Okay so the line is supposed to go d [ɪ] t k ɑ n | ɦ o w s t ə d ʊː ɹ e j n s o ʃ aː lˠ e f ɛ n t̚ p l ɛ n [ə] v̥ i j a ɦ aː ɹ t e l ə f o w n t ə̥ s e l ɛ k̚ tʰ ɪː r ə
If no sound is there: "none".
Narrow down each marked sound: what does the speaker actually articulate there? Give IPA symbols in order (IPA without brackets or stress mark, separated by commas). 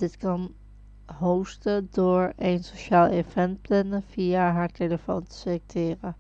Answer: ɪ, ə